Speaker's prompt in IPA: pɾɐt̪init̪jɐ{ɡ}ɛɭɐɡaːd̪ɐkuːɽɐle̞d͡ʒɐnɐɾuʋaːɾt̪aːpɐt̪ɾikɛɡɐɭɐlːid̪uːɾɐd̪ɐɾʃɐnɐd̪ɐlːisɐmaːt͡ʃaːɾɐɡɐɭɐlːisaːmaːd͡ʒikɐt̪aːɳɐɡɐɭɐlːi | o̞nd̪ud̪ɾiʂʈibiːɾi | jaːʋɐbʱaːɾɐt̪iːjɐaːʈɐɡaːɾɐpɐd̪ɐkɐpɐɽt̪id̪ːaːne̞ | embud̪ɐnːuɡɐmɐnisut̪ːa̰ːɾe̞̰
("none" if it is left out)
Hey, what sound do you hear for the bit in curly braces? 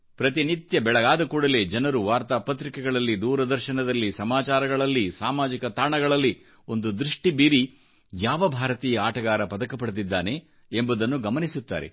b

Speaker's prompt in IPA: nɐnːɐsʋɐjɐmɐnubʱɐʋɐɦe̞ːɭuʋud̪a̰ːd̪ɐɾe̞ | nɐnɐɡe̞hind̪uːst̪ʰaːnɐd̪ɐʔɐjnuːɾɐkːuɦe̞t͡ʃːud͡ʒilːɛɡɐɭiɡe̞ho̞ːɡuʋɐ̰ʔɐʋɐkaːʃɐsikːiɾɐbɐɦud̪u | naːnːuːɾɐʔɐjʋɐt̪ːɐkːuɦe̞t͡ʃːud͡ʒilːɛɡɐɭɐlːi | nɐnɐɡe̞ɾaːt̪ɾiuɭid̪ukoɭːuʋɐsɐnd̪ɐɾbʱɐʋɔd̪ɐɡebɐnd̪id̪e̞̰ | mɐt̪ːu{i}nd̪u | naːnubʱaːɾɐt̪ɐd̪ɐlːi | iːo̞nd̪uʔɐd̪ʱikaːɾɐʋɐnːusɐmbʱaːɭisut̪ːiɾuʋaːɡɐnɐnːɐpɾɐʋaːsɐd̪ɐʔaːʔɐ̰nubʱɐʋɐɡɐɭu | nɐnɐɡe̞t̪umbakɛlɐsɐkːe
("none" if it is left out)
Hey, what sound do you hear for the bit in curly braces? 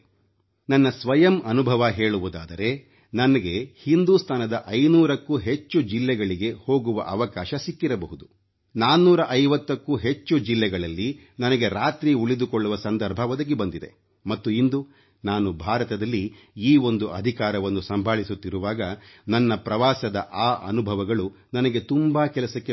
i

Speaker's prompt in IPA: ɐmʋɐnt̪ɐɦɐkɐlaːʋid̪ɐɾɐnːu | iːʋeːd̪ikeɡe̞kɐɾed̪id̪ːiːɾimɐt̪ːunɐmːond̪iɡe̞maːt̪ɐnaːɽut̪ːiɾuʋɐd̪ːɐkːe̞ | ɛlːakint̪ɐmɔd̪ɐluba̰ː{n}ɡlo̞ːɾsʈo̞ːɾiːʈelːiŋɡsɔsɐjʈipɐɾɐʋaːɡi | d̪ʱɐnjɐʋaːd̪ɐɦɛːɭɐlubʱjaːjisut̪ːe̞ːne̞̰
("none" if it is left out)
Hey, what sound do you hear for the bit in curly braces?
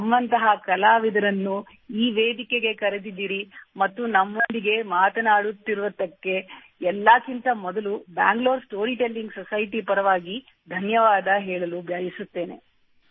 ŋ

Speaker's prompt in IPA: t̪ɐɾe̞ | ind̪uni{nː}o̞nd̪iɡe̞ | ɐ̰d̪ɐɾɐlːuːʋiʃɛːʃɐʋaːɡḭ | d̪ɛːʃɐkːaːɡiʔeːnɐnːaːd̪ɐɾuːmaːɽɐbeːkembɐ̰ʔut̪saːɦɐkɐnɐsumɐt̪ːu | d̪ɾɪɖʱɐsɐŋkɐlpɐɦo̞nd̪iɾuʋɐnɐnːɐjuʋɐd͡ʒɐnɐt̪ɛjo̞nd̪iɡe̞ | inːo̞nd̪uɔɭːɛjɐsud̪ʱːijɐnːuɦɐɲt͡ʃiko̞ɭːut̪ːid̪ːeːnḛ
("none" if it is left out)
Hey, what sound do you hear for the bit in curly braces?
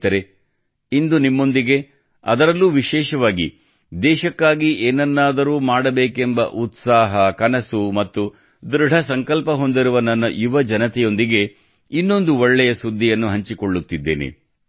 mː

